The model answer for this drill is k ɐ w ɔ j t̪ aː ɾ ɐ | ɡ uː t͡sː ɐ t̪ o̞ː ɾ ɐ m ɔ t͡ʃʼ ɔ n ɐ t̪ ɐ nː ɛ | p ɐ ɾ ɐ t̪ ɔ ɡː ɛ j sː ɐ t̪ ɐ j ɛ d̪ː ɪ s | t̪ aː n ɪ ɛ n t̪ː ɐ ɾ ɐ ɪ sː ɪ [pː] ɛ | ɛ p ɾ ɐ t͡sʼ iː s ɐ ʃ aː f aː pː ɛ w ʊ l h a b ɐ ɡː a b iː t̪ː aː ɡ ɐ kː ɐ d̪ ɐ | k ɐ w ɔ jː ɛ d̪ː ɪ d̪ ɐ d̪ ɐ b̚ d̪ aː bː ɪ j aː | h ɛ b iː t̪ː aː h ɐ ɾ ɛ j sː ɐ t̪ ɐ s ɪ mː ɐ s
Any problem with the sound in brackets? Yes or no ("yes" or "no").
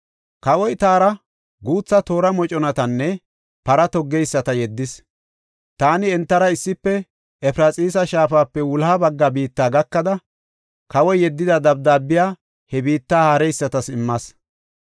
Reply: no